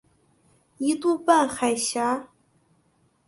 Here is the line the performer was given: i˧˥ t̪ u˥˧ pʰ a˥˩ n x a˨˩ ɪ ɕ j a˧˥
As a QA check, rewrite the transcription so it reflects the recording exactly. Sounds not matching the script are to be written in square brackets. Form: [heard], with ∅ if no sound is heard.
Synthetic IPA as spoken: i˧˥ t̪ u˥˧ [p] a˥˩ n x a˨˩ ɪ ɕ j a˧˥